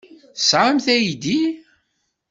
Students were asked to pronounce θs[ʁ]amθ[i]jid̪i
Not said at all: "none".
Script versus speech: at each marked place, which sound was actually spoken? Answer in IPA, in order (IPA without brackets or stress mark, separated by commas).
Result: ʕ, æ